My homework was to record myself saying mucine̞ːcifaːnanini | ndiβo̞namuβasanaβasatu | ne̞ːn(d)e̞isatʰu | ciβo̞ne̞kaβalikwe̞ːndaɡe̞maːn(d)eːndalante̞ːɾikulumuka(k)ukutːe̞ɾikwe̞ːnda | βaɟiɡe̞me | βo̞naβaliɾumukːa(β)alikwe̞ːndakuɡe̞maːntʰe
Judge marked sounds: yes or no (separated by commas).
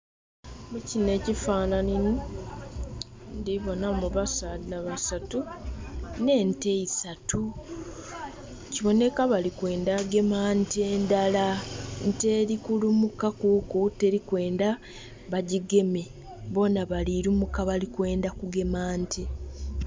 no, no, yes, yes